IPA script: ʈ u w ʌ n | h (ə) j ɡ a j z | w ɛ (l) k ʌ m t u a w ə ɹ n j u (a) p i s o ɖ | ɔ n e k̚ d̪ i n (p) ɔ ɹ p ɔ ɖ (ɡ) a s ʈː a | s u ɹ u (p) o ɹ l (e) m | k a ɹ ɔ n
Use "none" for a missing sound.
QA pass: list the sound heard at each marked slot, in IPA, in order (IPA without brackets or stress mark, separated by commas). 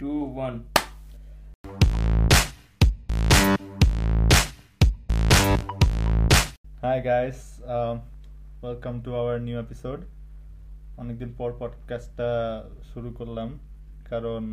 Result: a, l, e, p, k, k, a